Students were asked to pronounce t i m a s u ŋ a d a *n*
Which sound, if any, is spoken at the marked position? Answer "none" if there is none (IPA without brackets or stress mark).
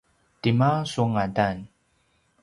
n